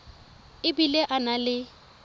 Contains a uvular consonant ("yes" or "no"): no